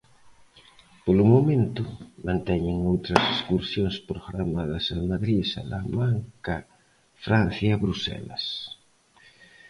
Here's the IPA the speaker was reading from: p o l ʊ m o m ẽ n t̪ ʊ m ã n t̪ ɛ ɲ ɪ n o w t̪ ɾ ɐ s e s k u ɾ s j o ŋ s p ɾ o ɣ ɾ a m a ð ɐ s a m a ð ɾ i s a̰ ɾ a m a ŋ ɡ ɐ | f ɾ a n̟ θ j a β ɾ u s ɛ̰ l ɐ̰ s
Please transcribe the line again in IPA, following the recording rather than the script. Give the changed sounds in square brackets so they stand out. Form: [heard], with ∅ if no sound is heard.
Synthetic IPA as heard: p o l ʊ m o m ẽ n t̪ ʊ m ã n t̪ ɛ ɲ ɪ [ŋ] o w t̪ ɾ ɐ s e s k u ɾ s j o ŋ s p ɾ o ɣ ɾ a m a ð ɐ s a m a ð ɾ i s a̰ [l] a m a ŋ [k] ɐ | f ɾ a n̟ θ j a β ɾ u s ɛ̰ l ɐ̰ s